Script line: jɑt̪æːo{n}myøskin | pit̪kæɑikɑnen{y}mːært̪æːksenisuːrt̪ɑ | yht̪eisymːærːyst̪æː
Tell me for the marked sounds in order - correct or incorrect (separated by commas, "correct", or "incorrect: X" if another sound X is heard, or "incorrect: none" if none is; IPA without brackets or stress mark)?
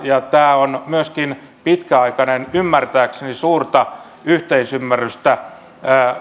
correct, correct